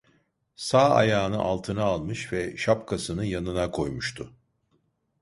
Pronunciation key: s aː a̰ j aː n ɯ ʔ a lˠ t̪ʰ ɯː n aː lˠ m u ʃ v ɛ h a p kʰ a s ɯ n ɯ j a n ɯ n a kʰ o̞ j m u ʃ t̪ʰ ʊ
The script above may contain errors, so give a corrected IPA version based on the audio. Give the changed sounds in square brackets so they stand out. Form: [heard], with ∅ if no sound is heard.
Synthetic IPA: s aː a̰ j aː n ɯ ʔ a lˠ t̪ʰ [ɯ] n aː lˠ m [ɯ] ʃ v ɛ [ʃ] a p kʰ a s ɯ n ɯ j a n ɯ n a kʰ o̞ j m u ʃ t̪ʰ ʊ